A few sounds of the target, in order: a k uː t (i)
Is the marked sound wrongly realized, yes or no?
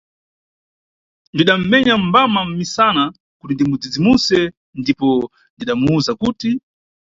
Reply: no